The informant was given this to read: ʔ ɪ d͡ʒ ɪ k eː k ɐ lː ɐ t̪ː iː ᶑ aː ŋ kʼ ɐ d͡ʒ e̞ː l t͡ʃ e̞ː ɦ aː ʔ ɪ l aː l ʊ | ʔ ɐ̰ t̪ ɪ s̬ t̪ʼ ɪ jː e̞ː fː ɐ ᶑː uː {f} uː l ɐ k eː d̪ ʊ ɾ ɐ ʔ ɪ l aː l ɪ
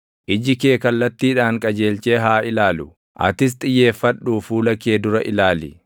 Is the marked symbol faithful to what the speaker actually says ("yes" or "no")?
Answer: yes